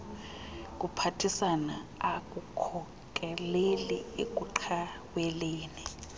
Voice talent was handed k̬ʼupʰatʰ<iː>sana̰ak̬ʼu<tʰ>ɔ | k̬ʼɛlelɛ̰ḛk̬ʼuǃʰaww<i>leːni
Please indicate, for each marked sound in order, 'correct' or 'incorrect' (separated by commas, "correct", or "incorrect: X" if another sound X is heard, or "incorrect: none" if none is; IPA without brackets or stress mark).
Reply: incorrect: i, incorrect: kʰ, incorrect: ɛ